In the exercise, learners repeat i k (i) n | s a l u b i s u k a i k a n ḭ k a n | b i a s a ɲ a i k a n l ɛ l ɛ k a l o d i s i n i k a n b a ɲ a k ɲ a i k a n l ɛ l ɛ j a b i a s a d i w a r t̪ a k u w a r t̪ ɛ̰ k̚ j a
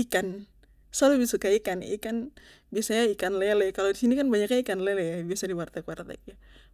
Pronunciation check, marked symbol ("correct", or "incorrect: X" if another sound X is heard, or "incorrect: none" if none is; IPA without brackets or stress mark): incorrect: a